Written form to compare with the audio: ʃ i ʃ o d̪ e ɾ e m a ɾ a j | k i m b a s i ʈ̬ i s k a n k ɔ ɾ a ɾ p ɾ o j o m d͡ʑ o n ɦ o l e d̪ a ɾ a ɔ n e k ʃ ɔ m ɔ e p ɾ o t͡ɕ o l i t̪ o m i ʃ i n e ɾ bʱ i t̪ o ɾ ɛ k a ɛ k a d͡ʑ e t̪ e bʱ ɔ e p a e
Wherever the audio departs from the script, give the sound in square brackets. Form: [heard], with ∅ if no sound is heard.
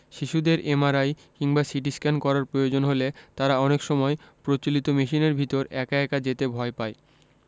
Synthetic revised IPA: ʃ i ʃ [u] d̪ e ɾ e m a ɾ a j | k i [ŋ] b a s i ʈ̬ i s k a n k ɔ ɾ a ɾ p ɾ o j o [∅] d͡ʑ o n ɦ o l e [t̪] a ɾ a ɔ n e k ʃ ɔ m ɔ e p ɾ o t͡ɕ o l i t̪ o m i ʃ i n e ɾ bʱ i t̪ o ɾ ɛ k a ɛ k a d͡ʑ e t̪ e bʱ ɔ e p a e